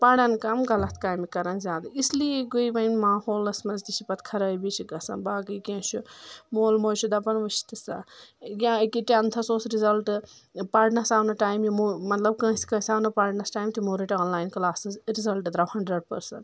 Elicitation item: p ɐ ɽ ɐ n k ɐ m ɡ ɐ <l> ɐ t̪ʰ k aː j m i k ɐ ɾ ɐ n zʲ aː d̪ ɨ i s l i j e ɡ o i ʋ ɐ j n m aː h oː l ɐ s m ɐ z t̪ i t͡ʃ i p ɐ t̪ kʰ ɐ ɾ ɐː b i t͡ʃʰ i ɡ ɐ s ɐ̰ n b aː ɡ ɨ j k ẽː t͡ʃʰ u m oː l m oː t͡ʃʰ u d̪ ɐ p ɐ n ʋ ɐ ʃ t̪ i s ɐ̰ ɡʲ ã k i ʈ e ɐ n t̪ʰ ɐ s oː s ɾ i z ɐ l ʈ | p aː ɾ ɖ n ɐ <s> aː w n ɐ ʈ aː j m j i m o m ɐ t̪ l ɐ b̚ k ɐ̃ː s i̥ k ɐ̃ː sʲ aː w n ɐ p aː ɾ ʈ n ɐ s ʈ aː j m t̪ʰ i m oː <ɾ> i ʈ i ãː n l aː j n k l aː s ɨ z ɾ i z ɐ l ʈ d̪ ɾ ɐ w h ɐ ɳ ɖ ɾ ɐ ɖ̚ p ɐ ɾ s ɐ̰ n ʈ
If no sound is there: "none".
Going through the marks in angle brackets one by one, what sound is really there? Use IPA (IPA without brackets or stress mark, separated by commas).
l, s, ɾ